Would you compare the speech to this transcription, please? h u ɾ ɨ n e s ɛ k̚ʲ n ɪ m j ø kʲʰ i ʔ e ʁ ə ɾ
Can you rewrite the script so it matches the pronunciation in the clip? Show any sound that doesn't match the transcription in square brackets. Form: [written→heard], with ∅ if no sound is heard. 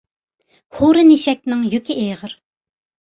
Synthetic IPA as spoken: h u ɾ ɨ n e [s→ʃ] ɛ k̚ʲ n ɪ [m→ŋ] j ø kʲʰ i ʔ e ʁ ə ɾ